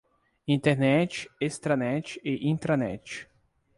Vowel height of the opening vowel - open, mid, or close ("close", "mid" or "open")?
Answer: close